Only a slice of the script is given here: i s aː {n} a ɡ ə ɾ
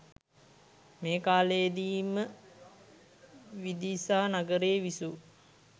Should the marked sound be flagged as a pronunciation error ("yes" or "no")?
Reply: no